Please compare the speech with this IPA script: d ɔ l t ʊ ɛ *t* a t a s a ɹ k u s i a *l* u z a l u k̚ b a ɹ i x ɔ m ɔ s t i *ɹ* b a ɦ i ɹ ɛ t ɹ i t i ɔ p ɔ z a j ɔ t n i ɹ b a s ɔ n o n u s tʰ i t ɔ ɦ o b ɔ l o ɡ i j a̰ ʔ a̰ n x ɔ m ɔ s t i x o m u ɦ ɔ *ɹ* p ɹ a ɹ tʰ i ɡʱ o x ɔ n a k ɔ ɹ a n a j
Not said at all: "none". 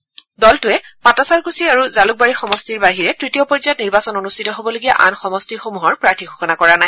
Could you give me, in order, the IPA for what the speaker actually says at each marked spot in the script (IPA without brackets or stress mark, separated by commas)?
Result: p, ɹ, ɹ, ɹ